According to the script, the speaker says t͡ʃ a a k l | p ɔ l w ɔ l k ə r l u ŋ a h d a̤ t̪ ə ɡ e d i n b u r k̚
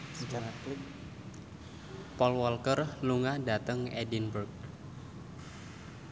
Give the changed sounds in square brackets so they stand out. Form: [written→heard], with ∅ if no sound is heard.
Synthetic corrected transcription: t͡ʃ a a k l | p ɔ l w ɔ l k ə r l u ŋ a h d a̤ t̪ ə [ɡ→ŋ] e d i n b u r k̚

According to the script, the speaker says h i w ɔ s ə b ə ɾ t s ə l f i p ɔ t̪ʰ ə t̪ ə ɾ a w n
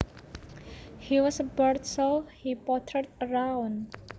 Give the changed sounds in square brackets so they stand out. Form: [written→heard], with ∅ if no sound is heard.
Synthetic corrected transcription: h i w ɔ s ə b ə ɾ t s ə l [f→h] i p ɔ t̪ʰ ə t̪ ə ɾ a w n

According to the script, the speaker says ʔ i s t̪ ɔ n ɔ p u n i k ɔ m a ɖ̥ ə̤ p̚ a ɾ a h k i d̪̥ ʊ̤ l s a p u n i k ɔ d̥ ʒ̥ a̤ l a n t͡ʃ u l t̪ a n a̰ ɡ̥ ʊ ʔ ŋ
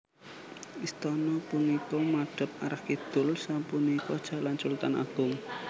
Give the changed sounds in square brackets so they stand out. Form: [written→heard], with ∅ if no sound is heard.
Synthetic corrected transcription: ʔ i s t̪ ɔ n ɔ p u n i k ɔ m a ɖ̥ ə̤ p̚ a ɾ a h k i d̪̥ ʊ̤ l s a p u n i k ɔ d̥ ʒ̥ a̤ l a n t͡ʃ u l t̪ a n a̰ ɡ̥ ʊ [ʔ→∅] ŋ

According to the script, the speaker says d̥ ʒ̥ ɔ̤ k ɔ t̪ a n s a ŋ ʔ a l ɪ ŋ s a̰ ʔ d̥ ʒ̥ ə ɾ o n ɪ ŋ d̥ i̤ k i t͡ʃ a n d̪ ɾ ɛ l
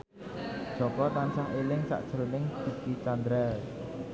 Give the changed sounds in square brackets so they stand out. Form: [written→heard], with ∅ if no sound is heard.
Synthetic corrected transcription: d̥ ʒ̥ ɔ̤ k ɔ t̪ a n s a ŋ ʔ [a→e] l ɪ ŋ s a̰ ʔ d̥ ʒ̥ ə ɾ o n ɪ ŋ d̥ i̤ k i t͡ʃ a n d̪ ɾ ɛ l

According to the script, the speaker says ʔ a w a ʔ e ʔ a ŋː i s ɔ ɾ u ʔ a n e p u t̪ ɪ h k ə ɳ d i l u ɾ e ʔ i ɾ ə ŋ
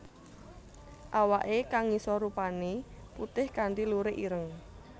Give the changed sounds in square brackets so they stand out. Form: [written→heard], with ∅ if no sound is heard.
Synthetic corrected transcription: ʔ a w a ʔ e [ʔ→k] a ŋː i s ɔ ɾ u [ʔ→p] a n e p u t̪ ɪ h k [ə→a] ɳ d i l u ɾ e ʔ i ɾ ə ŋ

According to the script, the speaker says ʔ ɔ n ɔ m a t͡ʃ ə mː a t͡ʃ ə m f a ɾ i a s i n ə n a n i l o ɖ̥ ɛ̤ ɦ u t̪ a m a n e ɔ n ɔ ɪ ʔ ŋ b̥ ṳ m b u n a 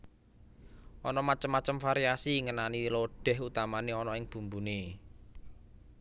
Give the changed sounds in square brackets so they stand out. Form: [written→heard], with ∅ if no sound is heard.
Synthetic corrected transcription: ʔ ɔ n ɔ m a t͡ʃ ə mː a t͡ʃ ə m f a ɾ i a s i [n→ŋ] ə n a n i l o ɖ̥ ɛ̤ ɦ u t̪ a m a n e ɔ n ɔ ɪ [ʔ→∅] ŋ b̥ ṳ m b u n [a→e]

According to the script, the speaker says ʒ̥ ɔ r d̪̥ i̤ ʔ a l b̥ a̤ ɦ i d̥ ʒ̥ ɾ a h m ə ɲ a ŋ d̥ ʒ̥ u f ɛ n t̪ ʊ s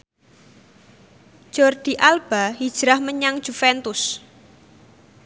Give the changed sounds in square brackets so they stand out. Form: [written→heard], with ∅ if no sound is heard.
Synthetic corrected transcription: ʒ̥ ɔ r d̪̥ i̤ ʔ a l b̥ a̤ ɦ i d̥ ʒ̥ ɾ a h m ə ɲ a ŋ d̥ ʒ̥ u f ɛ n t̪ ʊ s

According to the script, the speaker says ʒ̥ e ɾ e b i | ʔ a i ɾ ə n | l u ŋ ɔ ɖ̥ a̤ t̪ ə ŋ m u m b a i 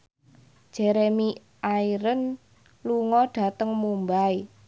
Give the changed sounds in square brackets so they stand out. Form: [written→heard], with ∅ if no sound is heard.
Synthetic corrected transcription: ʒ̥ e ɾ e [b→m] i | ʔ a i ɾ ə n | l u ŋ ɔ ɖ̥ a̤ t̪ ə ŋ m u m b a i

